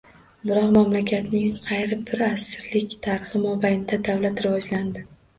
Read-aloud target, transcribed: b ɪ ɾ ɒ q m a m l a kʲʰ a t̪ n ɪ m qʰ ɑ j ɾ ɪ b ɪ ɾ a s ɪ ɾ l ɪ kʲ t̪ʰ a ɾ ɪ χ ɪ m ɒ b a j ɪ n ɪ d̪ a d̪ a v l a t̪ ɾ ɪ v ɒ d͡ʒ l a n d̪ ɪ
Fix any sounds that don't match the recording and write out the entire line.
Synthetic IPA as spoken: b ɪ ɾ ɒ q m a m l a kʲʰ a t̪ n ɪ ŋ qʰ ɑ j ɾ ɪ b ɪ ɾ a s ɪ ɾ l ɪ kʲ t̪ʰ a ɾ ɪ χ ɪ m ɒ b a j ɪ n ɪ d̪ a d̪ a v l a t̪ ɾ ɪ v ɒ d͡ʒ l a n d̪ ɪ